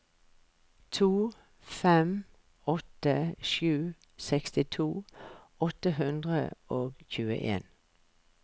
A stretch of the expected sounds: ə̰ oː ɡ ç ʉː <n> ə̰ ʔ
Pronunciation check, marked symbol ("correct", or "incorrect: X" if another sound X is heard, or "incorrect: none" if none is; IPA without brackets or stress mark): incorrect: none